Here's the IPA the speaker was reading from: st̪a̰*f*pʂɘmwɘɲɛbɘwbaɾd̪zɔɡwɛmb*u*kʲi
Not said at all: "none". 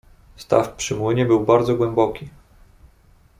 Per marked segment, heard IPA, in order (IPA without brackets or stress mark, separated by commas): f, ɔ